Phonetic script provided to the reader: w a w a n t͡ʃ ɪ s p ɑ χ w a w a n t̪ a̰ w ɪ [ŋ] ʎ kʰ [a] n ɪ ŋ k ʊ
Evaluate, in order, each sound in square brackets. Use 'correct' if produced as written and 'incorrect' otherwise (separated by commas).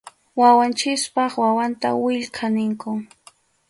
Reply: incorrect, correct